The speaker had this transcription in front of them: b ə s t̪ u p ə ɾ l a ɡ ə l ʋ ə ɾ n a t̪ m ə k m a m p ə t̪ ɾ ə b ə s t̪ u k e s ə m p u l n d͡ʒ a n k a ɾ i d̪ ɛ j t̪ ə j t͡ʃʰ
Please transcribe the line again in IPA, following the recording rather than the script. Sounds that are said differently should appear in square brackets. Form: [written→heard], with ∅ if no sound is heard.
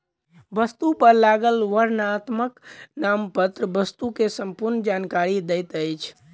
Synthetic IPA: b ə s t̪ u p ə ɾ l a ɡ ə l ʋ ə ɾ n a t̪ m ə k [m→n] a m p ə t̪ ɾ ə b ə s t̪ u k e s ə m p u [l→ɾ] n d͡ʒ a n k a ɾ i d̪ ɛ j t̪ ə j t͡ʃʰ